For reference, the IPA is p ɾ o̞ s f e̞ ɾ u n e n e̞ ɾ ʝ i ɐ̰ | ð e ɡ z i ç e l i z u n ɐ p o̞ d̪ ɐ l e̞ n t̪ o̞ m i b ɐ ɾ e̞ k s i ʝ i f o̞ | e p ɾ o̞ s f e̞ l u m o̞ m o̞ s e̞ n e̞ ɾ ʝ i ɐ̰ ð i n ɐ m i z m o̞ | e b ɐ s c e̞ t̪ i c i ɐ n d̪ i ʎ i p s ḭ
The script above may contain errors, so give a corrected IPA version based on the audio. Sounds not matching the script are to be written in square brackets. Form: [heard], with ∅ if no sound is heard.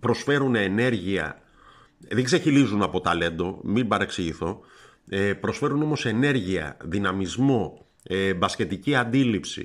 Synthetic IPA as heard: p ɾ o̞ s f e̞ ɾ u n e n e̞ ɾ ʝ i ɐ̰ | ð e ɡ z [e] ç [i] l i z u n ɐ p o̞ [t̪] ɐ l e̞ n [d̪] o̞ m i b ɐ ɾ e̞ k s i ʝ i [θ] o̞ | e p ɾ o̞ s f e̞ [ɾ] u [n] o̞ m o̞ s e̞ n e̞ ɾ ʝ i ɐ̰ ð i n ɐ m i z m o̞ | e b ɐ s c e̞ t̪ i c i ɐ n d̪ i [l] i p s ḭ